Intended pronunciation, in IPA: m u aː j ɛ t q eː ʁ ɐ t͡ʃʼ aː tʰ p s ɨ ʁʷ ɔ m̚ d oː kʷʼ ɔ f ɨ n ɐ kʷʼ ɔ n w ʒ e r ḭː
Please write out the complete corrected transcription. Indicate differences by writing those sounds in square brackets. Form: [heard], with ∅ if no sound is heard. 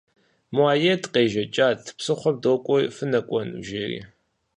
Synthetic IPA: m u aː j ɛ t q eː [ʒ] ɐ t͡ʃʼ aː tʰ p s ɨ [χʷ] ɔ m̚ d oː kʷʼ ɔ f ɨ n ɐ kʷʼ ɔ n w ʒ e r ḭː